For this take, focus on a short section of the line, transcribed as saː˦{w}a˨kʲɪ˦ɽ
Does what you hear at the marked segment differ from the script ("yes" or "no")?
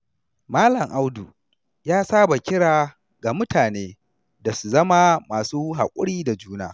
yes